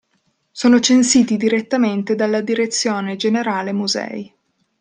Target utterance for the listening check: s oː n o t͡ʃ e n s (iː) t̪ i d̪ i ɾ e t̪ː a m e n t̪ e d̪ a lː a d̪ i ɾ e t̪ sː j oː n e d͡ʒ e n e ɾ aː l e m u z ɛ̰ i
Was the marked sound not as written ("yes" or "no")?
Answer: no